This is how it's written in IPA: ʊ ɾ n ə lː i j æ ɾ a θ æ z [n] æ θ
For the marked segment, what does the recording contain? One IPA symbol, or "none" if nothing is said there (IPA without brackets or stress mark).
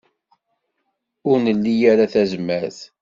m